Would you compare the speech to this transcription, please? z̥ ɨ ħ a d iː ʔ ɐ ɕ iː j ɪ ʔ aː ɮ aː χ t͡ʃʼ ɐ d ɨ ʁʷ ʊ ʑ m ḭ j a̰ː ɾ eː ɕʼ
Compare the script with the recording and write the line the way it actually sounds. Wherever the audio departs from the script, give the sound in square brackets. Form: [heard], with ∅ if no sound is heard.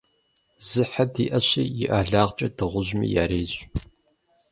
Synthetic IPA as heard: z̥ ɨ ħ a d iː ʔ ɐ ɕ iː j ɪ ʔ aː ɮ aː [ʁ] t͡ʃʼ ɐ d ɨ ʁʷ ʊ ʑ m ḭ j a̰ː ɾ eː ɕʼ